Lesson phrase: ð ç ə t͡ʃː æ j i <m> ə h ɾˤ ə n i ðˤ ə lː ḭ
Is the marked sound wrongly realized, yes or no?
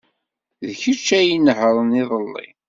yes